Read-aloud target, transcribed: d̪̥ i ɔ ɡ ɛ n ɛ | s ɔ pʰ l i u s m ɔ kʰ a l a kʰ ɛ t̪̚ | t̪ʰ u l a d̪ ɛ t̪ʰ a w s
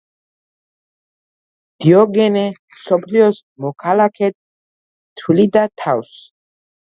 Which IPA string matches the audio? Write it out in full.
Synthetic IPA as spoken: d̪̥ i ɔ ɡ ɛ n ɛ | s ɔ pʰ l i ɔ s m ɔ kʰ a l a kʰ ɛ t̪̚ | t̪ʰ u l i d̪ a t̪ʰ a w s